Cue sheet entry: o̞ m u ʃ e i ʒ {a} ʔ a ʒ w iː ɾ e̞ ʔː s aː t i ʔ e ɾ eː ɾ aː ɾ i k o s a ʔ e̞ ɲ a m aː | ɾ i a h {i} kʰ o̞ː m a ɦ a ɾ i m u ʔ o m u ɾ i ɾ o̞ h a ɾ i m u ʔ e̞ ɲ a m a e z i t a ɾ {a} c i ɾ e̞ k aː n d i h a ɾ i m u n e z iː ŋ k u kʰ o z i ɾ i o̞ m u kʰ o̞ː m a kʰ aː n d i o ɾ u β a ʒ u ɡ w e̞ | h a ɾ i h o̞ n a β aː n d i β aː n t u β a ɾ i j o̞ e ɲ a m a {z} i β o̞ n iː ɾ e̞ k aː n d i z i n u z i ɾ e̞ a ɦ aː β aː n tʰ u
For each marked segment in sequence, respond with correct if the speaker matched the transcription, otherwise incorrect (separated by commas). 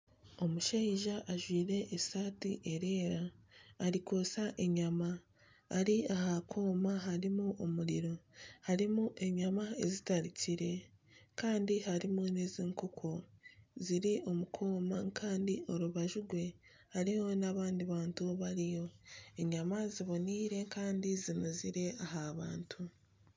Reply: correct, incorrect, incorrect, correct